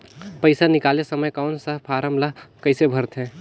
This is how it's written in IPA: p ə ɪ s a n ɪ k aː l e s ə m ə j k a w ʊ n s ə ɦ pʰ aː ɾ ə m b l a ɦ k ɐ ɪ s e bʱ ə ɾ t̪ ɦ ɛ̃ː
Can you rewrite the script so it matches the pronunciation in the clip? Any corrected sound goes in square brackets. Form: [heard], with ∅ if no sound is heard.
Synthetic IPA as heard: p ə ɪ s a n ɪ k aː l e s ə m ə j k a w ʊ n s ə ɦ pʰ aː ɾ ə m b l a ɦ k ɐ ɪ s e bʱ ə ɾ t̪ ɦ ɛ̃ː